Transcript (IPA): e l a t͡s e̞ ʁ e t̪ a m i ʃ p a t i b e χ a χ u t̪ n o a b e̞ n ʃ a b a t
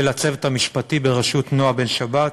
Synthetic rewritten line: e l a t͡s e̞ v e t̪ a m i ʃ p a t i b e ʁ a ʃ u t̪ n o a b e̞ n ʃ a b a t